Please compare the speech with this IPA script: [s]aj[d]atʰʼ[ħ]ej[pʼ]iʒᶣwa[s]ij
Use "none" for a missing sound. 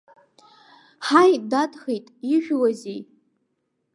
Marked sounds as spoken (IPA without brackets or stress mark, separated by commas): ħ, d, χ, tʼ, z